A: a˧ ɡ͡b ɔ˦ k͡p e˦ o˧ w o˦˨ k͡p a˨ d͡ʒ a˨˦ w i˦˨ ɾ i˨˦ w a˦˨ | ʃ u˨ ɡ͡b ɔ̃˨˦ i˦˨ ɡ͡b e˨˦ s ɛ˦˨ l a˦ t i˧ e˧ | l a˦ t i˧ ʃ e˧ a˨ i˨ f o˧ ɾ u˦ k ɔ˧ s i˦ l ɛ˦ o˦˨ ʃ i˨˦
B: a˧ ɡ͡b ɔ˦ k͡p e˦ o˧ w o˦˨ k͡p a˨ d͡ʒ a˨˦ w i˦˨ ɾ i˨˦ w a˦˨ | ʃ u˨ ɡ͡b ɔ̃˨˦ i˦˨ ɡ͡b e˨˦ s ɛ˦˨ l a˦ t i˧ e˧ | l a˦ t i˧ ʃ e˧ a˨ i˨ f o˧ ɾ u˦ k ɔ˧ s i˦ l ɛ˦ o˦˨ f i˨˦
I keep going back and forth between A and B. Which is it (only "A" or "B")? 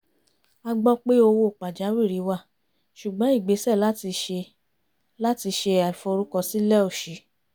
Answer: A